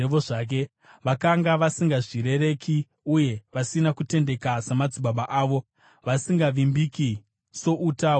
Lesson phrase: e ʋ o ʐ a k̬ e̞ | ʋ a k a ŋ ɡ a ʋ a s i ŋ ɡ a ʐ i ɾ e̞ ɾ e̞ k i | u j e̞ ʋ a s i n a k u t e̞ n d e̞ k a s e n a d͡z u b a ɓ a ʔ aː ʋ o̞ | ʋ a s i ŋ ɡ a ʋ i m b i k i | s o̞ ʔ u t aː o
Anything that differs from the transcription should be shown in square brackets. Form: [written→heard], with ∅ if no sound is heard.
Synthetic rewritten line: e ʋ o ʐ a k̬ e̞ | ʋ a k a ŋ ɡ a ʋ a s i ŋ ɡ a ʐ i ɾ e̞ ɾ e̞ k i | u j e̞ ʋ a s i n a k u t e̞ n d e̞ k a s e [n→m] a d͡z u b a ɓ a ʔ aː ʋ o̞ | ʋ a s i ŋ ɡ a ʋ i m b i k i | s o̞ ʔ u t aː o